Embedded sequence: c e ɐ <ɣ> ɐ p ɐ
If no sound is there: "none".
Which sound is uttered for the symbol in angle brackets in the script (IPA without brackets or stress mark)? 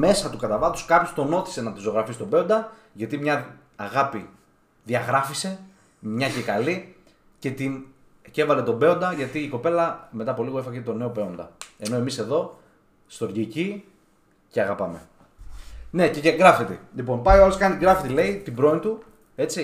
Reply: ɣ